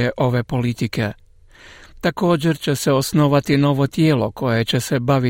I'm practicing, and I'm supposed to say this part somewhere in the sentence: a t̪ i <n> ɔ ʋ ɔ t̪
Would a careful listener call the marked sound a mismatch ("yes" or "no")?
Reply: no